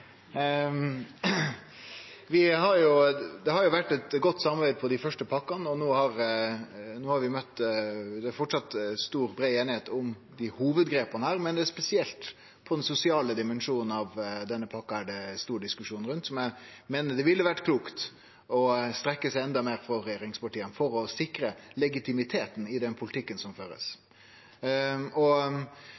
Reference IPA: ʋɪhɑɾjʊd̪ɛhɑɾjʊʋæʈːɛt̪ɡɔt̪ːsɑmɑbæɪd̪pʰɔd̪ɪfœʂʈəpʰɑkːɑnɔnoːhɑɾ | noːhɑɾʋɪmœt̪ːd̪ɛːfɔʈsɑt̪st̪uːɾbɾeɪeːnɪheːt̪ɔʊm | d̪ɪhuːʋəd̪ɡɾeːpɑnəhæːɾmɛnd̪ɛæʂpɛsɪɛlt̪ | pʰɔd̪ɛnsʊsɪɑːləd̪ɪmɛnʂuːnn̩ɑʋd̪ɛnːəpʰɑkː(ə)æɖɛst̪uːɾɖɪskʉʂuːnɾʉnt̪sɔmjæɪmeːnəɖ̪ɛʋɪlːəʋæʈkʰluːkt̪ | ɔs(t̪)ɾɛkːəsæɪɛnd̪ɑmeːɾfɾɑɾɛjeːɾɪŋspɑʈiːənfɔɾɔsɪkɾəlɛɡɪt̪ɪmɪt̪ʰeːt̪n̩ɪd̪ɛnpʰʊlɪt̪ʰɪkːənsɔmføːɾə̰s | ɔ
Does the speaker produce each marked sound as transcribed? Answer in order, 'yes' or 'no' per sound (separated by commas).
no, yes